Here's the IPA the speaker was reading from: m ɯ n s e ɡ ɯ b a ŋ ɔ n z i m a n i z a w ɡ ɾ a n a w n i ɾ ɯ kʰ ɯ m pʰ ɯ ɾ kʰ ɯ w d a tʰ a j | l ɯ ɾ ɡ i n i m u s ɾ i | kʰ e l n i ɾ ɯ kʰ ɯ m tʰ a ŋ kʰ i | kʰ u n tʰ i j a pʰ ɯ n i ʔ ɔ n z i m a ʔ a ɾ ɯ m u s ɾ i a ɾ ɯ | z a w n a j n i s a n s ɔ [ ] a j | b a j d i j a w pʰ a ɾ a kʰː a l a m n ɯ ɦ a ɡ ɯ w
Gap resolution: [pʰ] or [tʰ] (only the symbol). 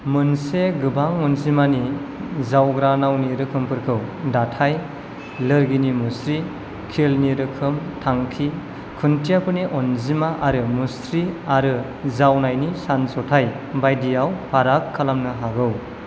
tʰ